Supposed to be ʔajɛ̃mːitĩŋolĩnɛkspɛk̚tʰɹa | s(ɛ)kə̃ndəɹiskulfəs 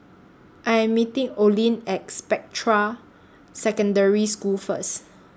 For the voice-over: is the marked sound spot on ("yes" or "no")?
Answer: yes